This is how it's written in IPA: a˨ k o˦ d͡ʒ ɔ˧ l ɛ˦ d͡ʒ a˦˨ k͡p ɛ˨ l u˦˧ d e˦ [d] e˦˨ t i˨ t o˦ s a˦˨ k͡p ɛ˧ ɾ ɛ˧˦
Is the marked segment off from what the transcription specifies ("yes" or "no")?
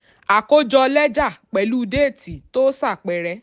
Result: yes